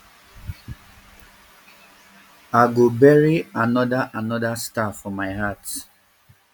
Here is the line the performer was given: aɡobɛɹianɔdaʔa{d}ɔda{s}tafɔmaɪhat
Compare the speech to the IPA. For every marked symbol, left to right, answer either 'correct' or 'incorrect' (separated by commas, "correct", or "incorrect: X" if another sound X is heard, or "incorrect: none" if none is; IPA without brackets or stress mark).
incorrect: n, correct